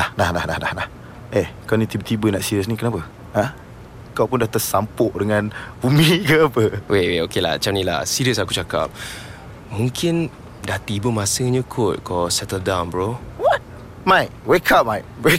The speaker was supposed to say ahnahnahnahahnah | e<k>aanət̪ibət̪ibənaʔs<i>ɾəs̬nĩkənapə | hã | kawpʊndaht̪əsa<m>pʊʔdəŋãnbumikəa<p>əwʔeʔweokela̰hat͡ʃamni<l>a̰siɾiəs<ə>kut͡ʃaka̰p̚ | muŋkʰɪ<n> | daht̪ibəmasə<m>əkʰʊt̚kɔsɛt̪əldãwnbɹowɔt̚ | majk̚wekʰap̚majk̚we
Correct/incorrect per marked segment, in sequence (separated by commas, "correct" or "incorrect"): correct, correct, correct, correct, correct, incorrect, correct, incorrect